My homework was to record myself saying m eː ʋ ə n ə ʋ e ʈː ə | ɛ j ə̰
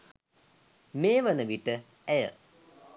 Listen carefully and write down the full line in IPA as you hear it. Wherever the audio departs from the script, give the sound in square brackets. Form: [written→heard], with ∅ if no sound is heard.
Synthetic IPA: m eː ʋ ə n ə ʋ [e→i] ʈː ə | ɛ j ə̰